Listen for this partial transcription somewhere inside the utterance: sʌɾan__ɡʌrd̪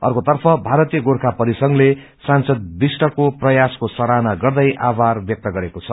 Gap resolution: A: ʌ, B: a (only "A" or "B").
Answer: B